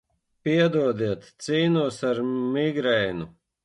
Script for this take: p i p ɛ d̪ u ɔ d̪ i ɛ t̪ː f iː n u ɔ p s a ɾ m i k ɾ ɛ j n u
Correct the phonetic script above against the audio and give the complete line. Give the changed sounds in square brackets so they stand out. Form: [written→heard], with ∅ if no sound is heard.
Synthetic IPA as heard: p i [p→∅] ɛ d̪ u ɔ d̪ i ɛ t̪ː [f→s] iː n u ɔ [p→∅] s a ɾ m i [k→ɡ] ɾ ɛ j n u